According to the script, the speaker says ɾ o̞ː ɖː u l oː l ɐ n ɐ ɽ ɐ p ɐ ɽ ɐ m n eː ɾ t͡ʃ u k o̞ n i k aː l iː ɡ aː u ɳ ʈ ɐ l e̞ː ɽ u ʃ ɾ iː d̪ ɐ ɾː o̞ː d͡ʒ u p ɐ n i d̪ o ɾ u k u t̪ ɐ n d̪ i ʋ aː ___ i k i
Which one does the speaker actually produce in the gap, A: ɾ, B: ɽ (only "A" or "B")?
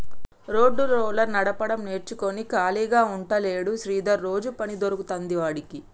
B